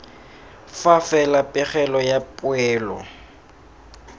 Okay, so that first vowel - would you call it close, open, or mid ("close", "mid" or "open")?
open